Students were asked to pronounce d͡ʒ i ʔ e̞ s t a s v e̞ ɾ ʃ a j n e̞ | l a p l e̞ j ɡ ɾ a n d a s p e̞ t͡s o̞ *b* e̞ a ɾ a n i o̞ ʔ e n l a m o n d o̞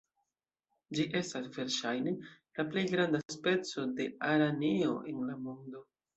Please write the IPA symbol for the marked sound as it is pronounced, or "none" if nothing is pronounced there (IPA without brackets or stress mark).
d